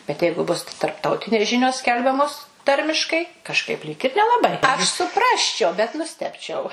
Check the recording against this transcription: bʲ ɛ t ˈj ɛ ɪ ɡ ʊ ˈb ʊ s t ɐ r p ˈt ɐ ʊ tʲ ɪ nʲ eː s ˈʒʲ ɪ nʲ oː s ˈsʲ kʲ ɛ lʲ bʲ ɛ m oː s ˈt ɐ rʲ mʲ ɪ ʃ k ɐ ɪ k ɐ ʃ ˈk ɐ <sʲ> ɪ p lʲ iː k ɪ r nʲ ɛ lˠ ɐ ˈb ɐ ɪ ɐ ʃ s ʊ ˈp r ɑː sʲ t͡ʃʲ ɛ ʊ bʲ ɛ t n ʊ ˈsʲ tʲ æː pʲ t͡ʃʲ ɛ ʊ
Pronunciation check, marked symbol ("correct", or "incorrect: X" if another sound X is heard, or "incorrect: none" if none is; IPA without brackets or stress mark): incorrect: none